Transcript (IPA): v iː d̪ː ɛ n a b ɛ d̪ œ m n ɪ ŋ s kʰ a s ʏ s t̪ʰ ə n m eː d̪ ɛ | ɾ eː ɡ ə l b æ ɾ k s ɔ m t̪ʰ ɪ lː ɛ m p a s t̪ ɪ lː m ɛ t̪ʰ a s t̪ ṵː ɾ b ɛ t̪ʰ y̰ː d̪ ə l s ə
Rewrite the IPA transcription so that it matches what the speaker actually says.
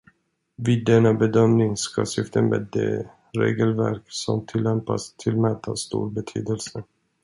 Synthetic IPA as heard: v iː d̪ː ɛ n a b ɛ d̪ œ m n ɪ ŋ s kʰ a s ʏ f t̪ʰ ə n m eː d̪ ɛ | ɾ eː ɡ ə l v æ ɾ k s ɔ m t̪ʰ ɪ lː ɛ m p a s t̪ʰ ɪ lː m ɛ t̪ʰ a s t̪ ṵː ɾ b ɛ t̪ʰ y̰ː d̪ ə l s ə